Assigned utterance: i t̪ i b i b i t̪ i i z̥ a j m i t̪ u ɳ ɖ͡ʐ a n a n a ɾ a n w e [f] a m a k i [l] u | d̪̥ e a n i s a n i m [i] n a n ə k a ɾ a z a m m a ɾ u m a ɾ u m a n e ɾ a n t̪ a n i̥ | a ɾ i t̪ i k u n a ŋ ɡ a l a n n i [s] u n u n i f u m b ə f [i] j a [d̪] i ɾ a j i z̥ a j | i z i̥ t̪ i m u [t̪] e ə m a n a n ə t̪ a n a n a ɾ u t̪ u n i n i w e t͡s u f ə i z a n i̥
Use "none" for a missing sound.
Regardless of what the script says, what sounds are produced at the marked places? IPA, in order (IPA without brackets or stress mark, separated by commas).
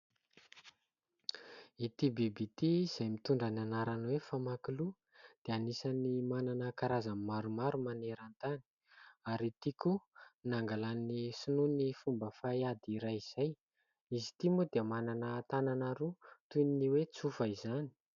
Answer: f, l, a, s, a, d̪, d̪